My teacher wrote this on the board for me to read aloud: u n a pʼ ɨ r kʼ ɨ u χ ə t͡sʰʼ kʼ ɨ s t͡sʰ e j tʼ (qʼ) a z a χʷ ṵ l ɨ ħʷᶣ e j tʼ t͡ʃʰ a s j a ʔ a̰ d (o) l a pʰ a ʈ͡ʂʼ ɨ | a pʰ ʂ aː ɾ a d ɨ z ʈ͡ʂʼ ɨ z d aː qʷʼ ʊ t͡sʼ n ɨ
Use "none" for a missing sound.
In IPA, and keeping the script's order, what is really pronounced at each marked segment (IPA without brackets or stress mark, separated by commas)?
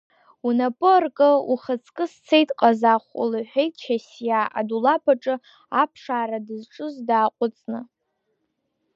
qʼ, u